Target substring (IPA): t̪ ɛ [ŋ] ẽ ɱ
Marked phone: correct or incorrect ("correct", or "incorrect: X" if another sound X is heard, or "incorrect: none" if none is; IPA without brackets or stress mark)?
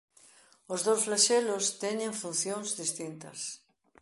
incorrect: ɲ